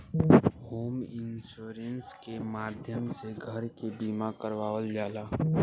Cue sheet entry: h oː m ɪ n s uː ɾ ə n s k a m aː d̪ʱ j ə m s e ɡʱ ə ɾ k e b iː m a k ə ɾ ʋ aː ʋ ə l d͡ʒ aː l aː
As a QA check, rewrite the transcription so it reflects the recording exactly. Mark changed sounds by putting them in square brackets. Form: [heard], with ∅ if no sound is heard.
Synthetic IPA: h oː m ɪ n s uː ɾ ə n s k [e] m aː d̪ʱ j ə m s e ɡʱ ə ɾ k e b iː m a k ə ɾ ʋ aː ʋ ə l d͡ʒ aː l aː